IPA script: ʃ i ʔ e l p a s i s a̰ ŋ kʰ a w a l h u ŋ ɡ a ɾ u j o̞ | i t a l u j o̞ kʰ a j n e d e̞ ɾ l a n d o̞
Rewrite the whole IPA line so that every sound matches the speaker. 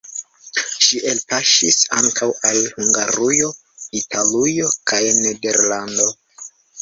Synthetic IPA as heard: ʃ i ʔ e l p a ʃ i s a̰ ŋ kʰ a w a l h u ŋ ɡ a ɾ u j o̞ | i t a l u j o̞ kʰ a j n e d e̞ ɾ l a n d o̞